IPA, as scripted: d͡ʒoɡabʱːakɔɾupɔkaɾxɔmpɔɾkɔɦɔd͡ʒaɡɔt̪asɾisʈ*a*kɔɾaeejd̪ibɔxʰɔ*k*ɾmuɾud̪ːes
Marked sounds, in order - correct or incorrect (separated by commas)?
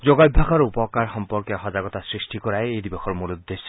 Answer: incorrect, incorrect